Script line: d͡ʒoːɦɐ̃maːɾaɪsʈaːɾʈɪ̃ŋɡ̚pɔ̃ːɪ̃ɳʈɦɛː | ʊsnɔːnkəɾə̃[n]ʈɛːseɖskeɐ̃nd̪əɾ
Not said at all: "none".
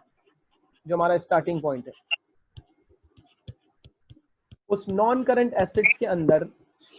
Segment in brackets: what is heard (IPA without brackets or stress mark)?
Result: ɳ